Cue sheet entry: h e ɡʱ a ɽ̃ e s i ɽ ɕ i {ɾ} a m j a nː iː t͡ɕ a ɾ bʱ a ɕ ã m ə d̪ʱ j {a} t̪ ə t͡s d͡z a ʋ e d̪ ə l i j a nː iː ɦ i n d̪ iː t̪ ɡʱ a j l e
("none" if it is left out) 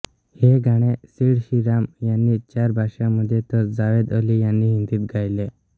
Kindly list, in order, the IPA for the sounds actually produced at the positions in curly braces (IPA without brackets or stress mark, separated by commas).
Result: ɾ, e